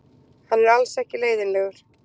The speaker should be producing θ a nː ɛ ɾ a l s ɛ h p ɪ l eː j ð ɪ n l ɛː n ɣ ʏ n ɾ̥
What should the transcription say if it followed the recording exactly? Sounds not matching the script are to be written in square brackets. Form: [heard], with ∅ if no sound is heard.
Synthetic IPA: [h] a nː ɛ ɾ a l s ɛ h [c] ɪ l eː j ð ɪ n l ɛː [∅] ɣ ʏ [∅] ɾ̥